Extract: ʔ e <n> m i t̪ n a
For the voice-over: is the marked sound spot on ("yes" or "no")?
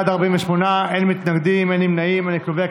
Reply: yes